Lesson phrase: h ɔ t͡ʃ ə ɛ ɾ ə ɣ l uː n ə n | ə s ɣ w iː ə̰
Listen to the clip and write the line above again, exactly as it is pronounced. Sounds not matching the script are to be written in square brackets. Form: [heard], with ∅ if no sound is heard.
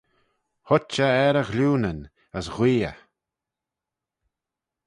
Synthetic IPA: h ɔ t͡ʃ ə ɛ ɾ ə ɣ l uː n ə n | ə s ɣ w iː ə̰